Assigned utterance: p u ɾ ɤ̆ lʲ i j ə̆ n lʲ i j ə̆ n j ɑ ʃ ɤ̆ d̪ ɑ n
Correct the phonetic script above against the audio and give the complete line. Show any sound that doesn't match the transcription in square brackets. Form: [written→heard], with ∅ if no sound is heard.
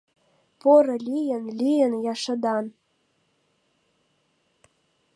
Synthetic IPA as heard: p [u→o] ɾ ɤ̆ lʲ i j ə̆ n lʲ i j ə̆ n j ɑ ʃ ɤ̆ d̪ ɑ n